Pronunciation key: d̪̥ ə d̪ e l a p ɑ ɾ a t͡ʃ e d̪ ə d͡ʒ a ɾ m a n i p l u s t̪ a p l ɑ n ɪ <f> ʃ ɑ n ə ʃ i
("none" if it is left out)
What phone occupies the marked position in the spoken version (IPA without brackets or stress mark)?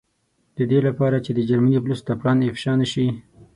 f